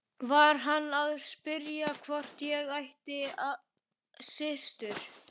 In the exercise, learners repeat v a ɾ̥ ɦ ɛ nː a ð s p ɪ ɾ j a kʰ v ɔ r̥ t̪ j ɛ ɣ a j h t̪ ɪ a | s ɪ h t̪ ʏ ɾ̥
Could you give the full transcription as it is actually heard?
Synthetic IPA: v a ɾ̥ ɦ a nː a ð s p ɪ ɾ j a kʰ v ɔ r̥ t̪ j ɛ ɣ a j h t̪ ɪ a | s ɪ s t̪ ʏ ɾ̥